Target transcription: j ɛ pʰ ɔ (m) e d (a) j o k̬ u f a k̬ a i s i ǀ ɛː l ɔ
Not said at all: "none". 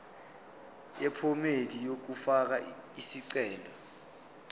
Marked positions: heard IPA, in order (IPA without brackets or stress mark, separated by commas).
m, i